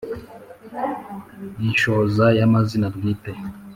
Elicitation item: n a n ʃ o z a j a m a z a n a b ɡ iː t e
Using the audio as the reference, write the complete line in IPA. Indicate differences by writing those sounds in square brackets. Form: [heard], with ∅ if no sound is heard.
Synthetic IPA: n [i] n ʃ o z a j a m a z [i] n a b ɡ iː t e